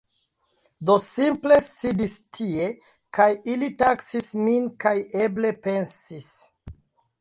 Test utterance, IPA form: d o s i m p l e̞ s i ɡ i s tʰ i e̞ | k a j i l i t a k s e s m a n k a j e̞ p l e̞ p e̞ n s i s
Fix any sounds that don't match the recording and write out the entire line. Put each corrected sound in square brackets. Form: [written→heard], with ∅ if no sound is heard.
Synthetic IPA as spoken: d o s i m p l e̞ s i [ɡ→d] i s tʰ i e̞ | k a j i l i t a k s [e→i] s m [a→i] n k a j e̞ [p→b] l e̞ p e̞ n s i s